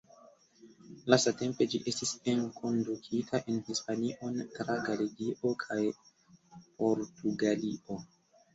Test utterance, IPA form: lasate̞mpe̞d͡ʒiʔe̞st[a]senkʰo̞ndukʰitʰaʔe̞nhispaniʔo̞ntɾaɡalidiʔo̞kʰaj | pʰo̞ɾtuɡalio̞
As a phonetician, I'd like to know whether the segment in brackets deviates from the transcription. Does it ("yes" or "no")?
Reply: yes